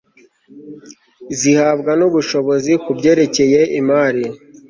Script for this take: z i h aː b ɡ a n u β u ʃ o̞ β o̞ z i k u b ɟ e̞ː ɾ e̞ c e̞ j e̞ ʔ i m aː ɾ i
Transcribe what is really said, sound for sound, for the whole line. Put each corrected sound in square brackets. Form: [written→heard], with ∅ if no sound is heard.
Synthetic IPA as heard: z i h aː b ɡ a n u β u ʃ o̞ β o̞ z i k u b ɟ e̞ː ɾ e̞ c e̞ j e̞ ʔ i m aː ɾ i